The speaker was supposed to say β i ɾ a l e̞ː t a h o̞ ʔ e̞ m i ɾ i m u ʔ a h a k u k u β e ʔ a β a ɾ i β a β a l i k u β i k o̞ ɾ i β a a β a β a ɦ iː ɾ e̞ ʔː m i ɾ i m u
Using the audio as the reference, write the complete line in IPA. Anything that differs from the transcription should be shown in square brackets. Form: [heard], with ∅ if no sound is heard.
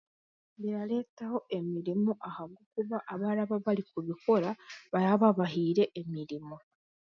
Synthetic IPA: β i ɾ a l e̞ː t a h o̞ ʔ e̞ m i ɾ i m u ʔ a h a [ɡ] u k u β [a] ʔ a β a ɾ [a] β a β a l i k u β i k o̞ ɾ [a] β a a β a β a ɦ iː ɾ e̞ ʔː m i ɾ i m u